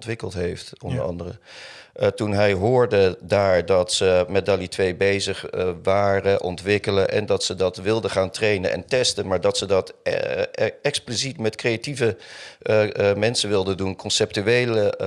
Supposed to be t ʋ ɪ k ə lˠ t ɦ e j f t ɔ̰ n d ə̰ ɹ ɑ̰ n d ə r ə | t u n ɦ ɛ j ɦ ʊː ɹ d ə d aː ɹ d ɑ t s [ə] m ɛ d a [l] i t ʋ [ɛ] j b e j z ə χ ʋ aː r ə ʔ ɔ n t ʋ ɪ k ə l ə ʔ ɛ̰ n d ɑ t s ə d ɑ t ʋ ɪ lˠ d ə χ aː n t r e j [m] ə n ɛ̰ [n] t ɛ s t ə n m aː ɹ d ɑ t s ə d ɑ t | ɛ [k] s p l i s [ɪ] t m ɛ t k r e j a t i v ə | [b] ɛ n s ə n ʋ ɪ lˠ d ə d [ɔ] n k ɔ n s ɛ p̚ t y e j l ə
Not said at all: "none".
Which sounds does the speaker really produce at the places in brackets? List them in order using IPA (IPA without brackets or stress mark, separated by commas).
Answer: ə, l, e, n, n, k, i, m, u